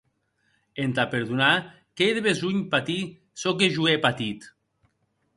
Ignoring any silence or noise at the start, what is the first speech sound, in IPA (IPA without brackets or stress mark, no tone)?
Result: e